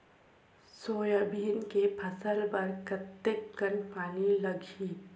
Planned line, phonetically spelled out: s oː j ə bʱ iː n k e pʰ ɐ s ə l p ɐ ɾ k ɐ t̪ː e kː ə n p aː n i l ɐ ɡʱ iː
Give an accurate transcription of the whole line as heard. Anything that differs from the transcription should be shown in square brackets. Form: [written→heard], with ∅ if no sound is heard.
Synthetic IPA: s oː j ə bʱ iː n k e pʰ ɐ s ə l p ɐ ɾ k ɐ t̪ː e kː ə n p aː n i l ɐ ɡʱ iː